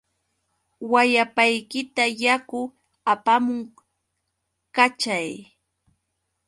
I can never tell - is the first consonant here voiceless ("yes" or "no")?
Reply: no